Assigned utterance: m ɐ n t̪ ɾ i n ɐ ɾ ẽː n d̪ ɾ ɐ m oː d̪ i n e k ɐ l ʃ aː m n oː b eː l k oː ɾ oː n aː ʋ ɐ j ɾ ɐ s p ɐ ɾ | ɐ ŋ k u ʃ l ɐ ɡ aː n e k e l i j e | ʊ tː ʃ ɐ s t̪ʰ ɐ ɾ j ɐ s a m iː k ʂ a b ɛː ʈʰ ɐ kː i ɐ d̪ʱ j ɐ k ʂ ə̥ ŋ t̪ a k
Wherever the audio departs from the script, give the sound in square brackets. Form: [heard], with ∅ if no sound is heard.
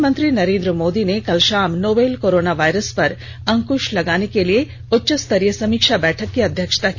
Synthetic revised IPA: m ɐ n t̪ ɾ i n ɐ ɾ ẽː n d̪ ɾ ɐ m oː d̪ i n e k ɐ l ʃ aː m n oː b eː l k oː ɾ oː n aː ʋ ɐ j ɾ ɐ s p ɐ ɾ | ɐ ŋ k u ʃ l ɐ ɡ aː n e k e l i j e | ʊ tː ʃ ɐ s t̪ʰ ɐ ɾ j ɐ s [ɐ] m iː k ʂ a b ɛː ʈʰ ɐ kː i ɐ d̪ʱ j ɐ k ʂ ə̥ [∅] t̪ a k